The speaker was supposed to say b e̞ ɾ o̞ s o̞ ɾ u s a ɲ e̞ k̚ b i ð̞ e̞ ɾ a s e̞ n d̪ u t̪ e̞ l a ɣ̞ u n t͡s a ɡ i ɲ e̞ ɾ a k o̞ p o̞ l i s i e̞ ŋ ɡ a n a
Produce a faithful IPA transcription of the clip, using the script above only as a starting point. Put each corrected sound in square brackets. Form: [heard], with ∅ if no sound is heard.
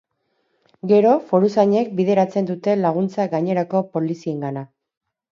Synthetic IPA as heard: [ɡ] e̞ ɾ o̞ [f] o̞ ɾ u s a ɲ e̞ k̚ b i ð̞ e̞ ɾ a [t͡s] e̞ n d̪ u t̪ e̞ l a ɣ̞ u n t͡s a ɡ [a] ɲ e̞ ɾ a k o̞ p o̞ l i s i e̞ ŋ ɡ a n a

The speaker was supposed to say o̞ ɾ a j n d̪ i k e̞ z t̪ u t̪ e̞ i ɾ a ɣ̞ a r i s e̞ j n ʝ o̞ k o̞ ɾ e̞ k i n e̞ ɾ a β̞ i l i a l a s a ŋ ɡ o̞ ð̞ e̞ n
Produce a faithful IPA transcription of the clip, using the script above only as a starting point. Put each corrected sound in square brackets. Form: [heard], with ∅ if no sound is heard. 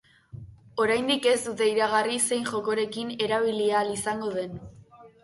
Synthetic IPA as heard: o̞ ɾ a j n d̪ i k e̞ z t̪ u t̪ e̞ i ɾ a ɣ̞ a r i s e̞ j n ʝ o̞ k o̞ ɾ e̞ k i n e̞ ɾ a β̞ i l i a l [i] s a ŋ ɡ o̞ ð̞ e̞ n

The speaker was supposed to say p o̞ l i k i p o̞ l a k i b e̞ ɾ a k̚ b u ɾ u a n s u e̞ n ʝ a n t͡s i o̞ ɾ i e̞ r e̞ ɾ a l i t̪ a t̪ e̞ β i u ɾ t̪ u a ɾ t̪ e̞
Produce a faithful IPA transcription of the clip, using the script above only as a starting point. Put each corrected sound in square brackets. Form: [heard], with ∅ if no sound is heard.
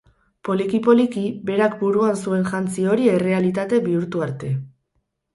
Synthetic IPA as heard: p o̞ l i k i p o̞ l [i] k i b e̞ ɾ a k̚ b u ɾ u a n s u e̞ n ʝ a n t͡s i o̞ ɾ i e̞ r e̞ [∅] a l i t̪ a t̪ e̞ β i u ɾ t̪ u a ɾ t̪ e̞

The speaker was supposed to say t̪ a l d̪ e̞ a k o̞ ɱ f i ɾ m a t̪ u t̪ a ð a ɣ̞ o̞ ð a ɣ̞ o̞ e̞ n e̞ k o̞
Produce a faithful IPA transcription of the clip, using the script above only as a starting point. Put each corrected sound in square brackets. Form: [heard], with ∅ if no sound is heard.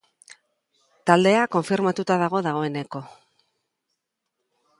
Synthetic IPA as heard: t̪ a l d̪ e̞ a k o̞ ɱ f i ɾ m a t̪ u t̪ a ð a ɣ̞ o̞ ð a ɣ̞ o̞ e̞ n e̞ k o̞

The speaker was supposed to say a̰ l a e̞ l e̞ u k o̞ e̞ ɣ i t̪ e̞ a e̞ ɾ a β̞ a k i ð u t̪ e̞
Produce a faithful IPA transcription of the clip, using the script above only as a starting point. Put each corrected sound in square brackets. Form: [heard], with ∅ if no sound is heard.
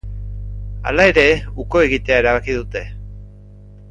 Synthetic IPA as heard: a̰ l a e̞ [ɾ] e̞ u k o̞ e̞ ɣ i t̪ e̞ a e̞ ɾ a β̞ a k i ð u t̪ e̞

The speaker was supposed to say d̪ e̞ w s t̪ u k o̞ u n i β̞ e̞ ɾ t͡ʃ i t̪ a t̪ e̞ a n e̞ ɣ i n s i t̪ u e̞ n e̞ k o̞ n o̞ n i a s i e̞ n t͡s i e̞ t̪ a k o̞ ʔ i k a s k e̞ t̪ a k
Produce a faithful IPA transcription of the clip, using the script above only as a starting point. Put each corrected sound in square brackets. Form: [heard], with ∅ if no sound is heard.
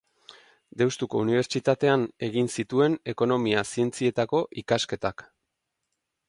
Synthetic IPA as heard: d̪ e̞ w s t̪ u k o̞ u n i β̞ e̞ ɾ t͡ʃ i t̪ a t̪ e̞ a n e̞ ɣ i n s i t̪ u e̞ n e̞ k o̞ n o̞ [m] i a s i e̞ n t͡s i e̞ t̪ a k o̞ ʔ i k a s k e̞ t̪ a k

